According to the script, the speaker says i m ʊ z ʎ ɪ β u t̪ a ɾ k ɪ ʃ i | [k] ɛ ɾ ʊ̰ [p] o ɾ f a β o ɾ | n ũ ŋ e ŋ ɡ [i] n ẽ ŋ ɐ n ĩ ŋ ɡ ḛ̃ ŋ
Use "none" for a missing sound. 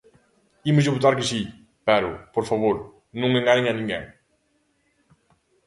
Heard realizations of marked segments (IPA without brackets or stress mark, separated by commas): p, p, a